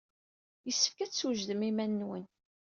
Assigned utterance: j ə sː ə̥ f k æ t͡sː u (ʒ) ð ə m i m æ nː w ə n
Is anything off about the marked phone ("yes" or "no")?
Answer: no